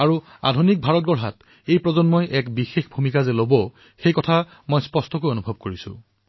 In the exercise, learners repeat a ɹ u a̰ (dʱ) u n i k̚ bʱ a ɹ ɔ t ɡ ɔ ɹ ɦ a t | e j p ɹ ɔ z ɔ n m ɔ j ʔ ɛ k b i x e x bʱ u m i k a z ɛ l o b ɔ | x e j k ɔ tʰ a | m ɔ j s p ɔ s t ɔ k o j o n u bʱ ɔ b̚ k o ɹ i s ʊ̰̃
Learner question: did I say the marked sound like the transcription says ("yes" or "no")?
yes